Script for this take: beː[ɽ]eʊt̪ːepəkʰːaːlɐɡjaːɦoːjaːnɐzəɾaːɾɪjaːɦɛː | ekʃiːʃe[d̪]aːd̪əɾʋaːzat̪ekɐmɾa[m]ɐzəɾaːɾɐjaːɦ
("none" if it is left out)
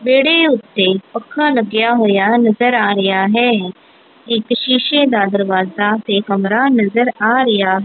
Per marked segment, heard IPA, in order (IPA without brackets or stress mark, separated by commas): ɽ, d̪, n